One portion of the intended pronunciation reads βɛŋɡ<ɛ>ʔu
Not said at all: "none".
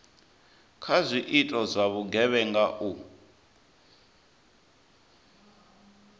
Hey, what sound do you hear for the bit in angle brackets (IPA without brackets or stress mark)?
a